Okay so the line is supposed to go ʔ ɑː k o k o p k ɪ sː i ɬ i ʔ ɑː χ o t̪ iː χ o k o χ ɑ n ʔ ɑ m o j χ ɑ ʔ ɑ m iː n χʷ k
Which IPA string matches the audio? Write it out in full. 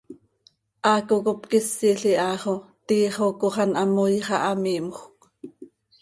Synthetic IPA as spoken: ʔ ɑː k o k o p k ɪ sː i ɬ i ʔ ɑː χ o t̪ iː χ o k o χ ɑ n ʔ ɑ m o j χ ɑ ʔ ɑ m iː m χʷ k